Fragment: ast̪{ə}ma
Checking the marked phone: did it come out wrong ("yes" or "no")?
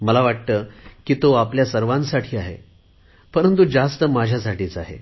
no